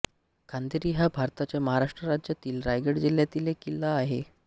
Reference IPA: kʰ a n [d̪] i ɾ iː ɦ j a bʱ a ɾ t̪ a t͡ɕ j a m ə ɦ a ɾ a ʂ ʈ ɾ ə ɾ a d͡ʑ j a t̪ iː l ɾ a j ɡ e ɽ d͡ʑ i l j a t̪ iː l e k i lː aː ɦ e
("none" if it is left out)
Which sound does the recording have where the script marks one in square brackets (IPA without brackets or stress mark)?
d̪